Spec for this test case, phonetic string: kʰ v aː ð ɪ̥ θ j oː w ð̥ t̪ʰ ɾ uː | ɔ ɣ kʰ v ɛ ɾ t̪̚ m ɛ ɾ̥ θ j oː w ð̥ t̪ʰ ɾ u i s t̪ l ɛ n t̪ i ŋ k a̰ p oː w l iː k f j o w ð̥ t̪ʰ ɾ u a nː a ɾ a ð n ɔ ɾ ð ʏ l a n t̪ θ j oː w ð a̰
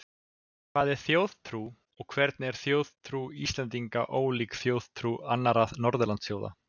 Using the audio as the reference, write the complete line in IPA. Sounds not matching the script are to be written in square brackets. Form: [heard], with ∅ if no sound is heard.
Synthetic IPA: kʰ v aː ð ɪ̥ θ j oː w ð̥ t̪ʰ ɾ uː | ɔ ɣ kʰ v ɛ ɾ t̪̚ [n] ɛ ɾ̥ θ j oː w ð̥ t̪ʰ ɾ u i s t̪ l ɛ n t̪ i ŋ k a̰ [ʔ] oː w l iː k [θ] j o w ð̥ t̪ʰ ɾ u a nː a ɾ a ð n ɔ ɾ ð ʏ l a n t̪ [s] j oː w ð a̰